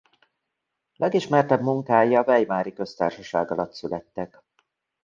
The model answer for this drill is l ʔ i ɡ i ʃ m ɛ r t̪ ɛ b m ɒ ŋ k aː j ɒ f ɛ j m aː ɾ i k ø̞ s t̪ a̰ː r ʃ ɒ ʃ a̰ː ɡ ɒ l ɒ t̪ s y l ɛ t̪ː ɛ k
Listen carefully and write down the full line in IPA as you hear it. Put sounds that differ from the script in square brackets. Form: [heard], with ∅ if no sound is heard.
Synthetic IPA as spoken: l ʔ [ɛ] ɡ i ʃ m ɛ r t̪ ɛ b m [u] ŋ k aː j ɒ [v] ɛ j m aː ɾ i k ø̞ s t̪ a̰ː r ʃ ɒ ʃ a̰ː ɡ ɒ l ɒ t̪ s y l ɛ t̪ː ɛ k